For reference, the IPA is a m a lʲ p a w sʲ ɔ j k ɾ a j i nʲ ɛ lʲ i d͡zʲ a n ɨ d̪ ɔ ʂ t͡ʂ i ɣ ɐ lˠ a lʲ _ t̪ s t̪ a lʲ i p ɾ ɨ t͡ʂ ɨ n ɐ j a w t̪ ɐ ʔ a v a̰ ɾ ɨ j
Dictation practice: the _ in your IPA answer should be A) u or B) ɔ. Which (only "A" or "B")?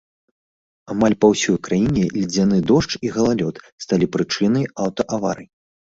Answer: B